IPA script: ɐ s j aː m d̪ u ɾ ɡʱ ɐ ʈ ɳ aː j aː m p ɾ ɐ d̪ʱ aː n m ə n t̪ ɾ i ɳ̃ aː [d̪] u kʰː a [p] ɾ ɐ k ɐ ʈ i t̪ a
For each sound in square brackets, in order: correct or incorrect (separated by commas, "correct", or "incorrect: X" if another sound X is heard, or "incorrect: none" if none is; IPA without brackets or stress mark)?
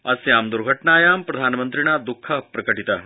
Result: correct, correct